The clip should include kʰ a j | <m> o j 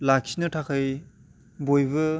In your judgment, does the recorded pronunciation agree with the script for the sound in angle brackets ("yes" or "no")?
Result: no